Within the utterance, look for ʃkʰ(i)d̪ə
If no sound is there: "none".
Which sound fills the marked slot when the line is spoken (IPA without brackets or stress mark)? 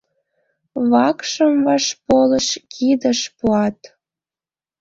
i